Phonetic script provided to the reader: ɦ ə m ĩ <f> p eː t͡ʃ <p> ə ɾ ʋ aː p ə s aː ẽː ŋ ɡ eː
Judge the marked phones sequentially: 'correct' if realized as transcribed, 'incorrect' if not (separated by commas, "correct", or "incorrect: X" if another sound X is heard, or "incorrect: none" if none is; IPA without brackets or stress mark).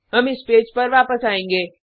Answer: incorrect: s, correct